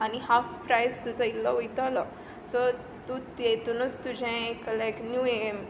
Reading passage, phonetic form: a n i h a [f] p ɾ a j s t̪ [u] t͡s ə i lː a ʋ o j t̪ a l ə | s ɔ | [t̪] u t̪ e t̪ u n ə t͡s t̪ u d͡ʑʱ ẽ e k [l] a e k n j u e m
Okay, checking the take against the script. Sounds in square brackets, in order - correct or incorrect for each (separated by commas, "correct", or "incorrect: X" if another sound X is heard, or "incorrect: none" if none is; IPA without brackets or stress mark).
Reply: correct, correct, correct, correct